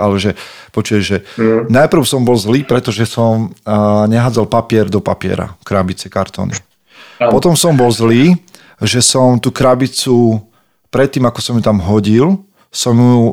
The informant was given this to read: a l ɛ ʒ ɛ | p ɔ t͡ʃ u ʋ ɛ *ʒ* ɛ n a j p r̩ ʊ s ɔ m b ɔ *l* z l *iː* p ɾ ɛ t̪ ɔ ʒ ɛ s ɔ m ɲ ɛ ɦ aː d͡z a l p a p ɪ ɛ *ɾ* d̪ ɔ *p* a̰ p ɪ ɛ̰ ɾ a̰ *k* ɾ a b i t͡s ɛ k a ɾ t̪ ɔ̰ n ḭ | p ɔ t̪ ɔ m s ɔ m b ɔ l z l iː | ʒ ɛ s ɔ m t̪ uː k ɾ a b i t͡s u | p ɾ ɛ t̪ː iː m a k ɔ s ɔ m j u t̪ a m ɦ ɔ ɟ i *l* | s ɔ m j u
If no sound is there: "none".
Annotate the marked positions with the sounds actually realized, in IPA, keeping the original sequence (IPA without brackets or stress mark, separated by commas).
ʒ, l, iː, ɾ, p, k, l